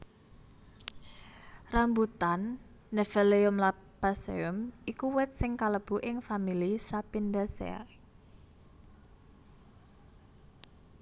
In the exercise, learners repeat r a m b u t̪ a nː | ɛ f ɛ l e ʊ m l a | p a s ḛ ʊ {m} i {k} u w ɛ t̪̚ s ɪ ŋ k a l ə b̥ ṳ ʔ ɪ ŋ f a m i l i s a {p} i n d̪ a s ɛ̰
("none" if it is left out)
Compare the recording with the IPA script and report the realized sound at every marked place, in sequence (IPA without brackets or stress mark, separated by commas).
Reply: m, k, p